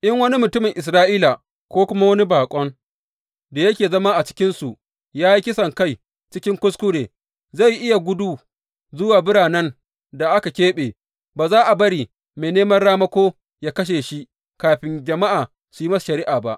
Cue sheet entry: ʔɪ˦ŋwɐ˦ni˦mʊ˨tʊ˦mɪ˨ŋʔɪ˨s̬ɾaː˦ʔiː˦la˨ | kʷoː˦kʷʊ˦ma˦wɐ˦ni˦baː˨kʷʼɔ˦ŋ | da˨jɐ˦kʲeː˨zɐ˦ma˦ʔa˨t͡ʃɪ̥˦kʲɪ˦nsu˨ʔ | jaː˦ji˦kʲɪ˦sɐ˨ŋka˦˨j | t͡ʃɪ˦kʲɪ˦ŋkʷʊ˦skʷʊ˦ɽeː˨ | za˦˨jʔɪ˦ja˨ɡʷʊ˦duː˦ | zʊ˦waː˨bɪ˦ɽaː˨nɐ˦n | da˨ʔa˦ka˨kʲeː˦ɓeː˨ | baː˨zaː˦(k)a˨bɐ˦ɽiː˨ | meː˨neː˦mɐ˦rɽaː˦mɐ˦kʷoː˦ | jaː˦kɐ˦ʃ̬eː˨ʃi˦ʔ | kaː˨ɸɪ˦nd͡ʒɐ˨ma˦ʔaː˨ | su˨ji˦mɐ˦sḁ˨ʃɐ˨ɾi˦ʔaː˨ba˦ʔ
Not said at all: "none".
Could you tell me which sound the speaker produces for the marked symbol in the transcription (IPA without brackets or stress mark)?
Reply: ʔ